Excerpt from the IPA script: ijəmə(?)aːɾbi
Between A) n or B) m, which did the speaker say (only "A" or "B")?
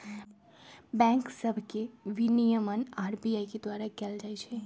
A